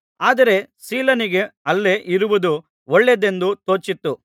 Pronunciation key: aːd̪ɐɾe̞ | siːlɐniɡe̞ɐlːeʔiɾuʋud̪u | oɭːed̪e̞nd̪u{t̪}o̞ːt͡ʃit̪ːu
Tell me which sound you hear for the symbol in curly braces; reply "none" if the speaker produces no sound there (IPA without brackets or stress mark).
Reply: t̪